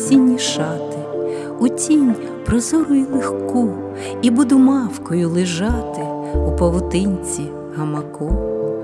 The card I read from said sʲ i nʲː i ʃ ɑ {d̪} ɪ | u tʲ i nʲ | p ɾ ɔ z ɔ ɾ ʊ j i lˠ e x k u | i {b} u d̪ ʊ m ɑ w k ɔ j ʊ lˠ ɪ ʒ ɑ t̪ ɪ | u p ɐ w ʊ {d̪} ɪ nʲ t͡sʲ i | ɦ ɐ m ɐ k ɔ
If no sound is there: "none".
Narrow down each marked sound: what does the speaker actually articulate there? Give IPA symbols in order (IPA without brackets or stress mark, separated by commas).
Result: t̪, b, t̪